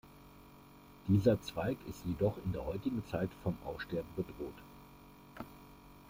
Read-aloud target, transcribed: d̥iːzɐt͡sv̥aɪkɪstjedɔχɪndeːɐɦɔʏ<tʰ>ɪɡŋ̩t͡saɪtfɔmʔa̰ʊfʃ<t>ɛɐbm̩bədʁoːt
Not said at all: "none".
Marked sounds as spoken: t, t

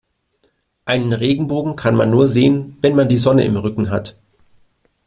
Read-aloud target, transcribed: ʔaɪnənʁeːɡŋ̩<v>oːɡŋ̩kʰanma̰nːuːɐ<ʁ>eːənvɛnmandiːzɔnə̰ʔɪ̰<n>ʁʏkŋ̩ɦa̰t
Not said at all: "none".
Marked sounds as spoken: b, z, m

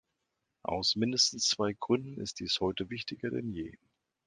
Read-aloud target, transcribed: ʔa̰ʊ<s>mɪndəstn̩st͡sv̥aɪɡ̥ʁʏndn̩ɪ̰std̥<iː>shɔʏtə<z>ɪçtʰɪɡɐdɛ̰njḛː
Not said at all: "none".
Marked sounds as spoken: s, iː, v

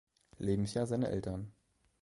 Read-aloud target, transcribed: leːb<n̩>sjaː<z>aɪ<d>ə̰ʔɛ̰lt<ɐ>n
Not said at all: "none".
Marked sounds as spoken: m̩, z, n, ɐ

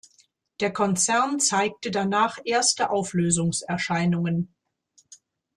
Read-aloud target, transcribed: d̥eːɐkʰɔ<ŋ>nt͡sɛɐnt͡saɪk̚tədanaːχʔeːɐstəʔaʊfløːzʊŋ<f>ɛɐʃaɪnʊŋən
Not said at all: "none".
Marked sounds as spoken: none, s

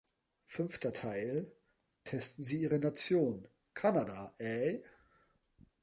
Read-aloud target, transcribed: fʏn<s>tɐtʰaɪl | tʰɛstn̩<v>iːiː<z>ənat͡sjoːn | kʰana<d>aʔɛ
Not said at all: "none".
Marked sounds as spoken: f, z, ʁ, d

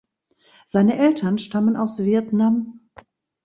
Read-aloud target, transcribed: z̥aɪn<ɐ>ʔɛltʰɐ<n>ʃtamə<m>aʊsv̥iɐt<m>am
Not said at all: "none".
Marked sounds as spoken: ə, n, n, n

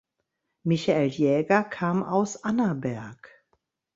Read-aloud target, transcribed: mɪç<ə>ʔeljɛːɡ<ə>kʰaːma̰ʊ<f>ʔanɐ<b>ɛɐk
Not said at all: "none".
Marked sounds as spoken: a, ɐ, s, b

